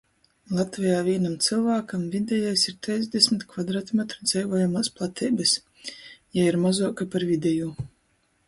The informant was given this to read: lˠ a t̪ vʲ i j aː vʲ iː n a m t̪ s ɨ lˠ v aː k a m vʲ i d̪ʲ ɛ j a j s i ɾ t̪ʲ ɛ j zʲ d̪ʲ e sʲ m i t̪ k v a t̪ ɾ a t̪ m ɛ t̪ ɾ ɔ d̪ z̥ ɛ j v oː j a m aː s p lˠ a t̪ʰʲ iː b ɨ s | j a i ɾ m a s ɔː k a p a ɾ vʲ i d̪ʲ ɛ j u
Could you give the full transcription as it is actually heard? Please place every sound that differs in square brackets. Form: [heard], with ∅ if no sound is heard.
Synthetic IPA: lˠ a t̪ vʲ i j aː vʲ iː n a m t̪ s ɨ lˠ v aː k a m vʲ i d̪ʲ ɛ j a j s i ɾ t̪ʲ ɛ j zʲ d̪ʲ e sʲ m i t̪ k v a [d̪] ɾ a t̪ m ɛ t̪ ɾ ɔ d̪ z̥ ɛ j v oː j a m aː s p lˠ a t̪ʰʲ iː b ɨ s | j a i ɾ m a [z] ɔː k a p a ɾ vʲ i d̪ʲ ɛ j u